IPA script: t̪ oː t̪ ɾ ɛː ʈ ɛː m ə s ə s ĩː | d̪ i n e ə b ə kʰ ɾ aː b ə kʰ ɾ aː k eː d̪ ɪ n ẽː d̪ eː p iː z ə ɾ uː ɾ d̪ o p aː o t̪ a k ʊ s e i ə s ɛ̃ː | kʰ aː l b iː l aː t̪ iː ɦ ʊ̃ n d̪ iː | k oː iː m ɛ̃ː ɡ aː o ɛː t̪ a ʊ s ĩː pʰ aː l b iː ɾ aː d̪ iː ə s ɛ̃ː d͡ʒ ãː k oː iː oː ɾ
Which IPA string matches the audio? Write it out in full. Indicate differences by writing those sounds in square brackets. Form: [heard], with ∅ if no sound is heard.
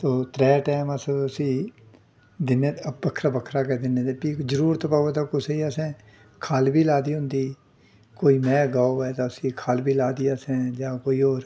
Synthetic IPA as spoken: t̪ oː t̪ ɾ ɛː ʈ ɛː m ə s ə s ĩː | d̪ [ɪ] n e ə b ə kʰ ɾ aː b ə kʰ ɾ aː k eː d̪ ɪ n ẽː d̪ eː p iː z ə ɾ uː ɾ [t̪] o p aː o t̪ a k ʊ s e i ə s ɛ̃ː | kʰ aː l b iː l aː [d̪] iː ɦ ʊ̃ n d̪ iː | k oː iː m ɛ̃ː ɡ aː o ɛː t̪ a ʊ s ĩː [kʰ] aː l b iː [l] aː d̪ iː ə s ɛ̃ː d͡ʒ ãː k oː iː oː ɾ